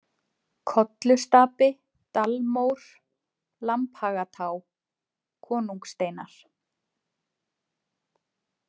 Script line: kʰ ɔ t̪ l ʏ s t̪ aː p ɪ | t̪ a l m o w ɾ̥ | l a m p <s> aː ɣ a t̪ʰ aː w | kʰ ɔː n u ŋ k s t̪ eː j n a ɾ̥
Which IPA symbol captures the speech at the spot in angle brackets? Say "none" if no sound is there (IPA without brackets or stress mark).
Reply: h